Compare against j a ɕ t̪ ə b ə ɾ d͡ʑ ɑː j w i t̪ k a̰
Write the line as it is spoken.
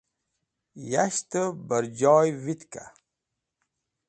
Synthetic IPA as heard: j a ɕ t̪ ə b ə ɾ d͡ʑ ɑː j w i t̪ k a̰

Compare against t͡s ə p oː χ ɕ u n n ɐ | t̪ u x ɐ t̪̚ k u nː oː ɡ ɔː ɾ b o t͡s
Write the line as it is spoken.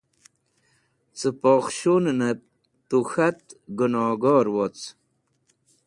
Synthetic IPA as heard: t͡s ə p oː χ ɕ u n n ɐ | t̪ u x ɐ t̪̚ ɡ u n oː ɡ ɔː ɾ w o t͡s

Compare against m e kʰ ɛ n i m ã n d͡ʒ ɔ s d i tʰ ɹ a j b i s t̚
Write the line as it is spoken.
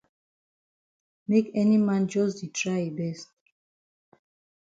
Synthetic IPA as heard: m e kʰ ɛ n i m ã n d͡ʒ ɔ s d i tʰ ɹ a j b ɛ s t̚

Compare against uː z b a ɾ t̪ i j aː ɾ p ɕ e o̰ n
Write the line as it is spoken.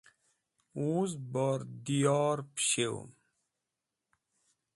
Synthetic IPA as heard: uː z b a ɾ d̪ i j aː ɾ p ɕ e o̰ m

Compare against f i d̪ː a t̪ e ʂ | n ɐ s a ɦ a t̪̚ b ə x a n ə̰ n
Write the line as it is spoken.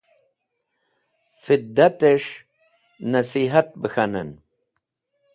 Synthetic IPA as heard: f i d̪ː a t̪ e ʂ | n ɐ s i ɦ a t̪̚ b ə x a n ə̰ n

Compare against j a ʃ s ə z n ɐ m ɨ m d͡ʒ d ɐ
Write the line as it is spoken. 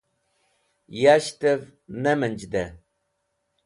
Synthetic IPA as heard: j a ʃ t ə v n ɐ m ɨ n d͡ʒ d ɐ

